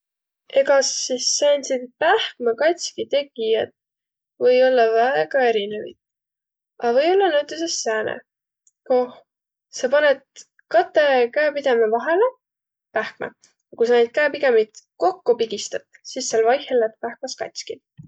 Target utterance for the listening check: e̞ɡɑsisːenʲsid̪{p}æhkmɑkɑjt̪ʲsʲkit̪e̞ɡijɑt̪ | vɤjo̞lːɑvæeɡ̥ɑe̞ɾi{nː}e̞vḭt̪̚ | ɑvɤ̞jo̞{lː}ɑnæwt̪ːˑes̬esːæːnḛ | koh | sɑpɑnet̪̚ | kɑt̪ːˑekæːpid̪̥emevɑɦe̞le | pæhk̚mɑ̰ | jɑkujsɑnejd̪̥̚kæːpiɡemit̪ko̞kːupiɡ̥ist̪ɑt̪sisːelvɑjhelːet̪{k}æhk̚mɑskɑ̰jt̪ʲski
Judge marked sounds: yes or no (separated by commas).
yes, no, yes, no